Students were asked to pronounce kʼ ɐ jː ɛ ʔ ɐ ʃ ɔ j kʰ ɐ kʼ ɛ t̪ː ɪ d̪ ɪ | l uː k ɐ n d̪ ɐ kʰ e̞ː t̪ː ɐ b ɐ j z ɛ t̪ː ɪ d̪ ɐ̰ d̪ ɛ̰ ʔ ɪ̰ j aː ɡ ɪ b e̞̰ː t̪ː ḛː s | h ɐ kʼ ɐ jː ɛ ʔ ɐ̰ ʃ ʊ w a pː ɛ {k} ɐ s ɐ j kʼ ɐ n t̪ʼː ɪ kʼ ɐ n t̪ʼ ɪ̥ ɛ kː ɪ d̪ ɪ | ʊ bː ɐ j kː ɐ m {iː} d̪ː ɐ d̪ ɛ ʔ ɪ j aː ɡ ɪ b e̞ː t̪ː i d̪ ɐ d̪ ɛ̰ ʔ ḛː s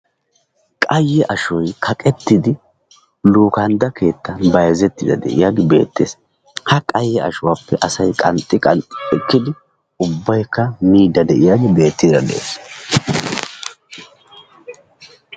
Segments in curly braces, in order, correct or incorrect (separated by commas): incorrect, correct